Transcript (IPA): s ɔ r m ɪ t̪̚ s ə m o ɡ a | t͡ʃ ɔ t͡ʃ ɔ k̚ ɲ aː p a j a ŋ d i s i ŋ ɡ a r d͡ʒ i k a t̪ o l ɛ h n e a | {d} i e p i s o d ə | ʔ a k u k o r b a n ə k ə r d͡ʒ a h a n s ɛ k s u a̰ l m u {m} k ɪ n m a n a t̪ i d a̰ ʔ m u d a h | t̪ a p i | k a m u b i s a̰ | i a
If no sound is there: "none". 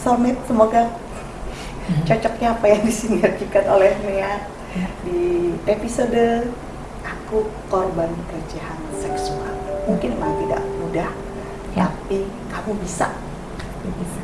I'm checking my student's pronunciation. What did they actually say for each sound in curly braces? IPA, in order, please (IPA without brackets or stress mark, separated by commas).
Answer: d, ŋ